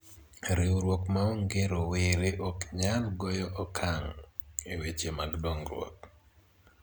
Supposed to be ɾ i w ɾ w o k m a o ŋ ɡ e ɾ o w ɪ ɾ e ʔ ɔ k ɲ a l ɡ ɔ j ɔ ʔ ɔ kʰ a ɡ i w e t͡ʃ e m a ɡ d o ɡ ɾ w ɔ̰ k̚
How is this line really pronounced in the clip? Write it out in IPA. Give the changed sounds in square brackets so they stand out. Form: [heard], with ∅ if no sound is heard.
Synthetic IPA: ɾ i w ɾ w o k m a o ŋ ɡ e ɾ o w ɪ ɾ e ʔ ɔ k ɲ a l ɡ ɔ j ɔ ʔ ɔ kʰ a [ŋ] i w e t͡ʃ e m a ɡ d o [ŋ] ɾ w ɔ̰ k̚